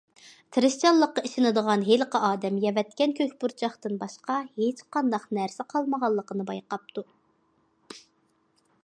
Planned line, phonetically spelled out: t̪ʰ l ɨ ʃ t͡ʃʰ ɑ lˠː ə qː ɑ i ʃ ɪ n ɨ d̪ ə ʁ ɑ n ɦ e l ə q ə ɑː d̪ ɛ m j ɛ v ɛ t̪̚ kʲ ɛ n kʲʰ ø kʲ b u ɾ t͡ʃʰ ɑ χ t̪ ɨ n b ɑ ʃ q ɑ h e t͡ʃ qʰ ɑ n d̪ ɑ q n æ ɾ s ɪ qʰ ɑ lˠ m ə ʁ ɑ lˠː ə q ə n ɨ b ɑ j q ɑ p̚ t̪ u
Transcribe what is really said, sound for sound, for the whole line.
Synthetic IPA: t̪ʰ ɾ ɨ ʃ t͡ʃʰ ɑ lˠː ə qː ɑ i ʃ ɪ n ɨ d̪ ə ʁ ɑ n ɦ e l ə q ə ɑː d̪ ɛ m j ɛ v ɛ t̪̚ kʲ ɛ n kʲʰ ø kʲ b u ɾ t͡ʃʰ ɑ χ t̪ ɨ n b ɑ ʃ q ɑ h e t͡ʃ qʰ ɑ n d̪ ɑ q n æ ɾ s ɪ qʰ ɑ lˠ m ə ʁ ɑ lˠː ə q ə n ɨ b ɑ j q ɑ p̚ t̪ u